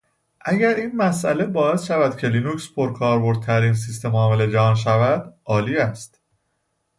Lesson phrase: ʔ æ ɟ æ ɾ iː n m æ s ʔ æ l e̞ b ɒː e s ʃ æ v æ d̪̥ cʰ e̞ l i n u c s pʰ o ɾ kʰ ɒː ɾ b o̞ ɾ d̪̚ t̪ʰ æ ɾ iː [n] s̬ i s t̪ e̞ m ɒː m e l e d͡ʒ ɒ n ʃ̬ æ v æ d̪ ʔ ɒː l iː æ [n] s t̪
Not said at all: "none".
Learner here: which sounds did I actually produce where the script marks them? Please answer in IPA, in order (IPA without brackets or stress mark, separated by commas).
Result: n, none